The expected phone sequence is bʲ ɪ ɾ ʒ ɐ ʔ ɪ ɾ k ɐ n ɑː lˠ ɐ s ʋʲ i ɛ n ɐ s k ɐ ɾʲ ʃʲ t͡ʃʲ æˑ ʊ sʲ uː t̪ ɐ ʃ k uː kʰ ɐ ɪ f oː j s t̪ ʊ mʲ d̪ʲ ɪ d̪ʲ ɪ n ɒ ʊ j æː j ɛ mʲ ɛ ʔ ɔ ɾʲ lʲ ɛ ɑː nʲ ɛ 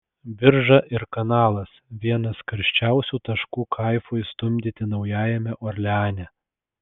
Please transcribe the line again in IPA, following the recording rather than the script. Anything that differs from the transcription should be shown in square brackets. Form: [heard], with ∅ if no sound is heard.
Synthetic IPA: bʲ ɪ ɾ ʒ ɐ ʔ ɪ ɾ k ɐ n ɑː lˠ ɐ s ʋʲ i ɛ n ɐ s k ɐ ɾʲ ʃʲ t͡ʃʲ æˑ ʊ sʲ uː t̪ ɐ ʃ k uː kʰ ɐ ɪ f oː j s t̪ ʊ mʲ d̪ʲ ɪ [t̪ʲ] ɪ n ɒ ʊ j æː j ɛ mʲ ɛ ʔ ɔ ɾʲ lʲ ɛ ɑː nʲ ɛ